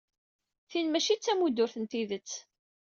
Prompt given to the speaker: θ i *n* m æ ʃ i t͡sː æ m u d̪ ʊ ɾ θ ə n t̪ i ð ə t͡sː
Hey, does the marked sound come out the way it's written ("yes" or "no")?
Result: yes